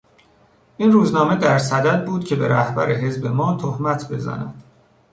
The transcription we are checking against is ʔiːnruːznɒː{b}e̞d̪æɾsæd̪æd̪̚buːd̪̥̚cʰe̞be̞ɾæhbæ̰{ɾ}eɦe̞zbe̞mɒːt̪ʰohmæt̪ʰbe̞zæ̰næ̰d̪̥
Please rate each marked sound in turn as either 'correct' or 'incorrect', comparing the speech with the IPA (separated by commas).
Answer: incorrect, correct